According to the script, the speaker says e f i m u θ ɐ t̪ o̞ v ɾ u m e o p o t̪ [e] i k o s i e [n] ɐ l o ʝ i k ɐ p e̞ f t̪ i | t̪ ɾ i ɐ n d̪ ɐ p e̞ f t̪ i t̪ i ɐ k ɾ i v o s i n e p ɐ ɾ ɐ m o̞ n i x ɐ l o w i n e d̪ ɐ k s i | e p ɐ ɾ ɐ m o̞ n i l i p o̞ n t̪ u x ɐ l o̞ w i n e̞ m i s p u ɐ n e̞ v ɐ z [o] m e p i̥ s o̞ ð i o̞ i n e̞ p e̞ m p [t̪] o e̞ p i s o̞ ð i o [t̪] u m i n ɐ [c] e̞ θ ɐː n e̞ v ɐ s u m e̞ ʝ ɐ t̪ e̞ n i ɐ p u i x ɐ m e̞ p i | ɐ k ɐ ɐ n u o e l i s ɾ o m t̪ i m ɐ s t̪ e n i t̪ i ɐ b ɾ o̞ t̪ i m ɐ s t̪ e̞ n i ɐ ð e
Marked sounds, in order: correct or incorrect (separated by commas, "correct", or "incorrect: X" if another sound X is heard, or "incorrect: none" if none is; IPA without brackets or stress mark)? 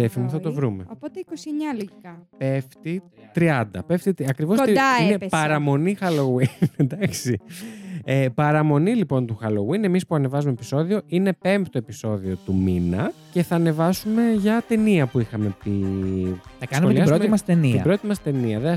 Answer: correct, incorrect: ɲ, incorrect: u, correct, correct, correct